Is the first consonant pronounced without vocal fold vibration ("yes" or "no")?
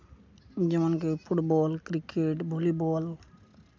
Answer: no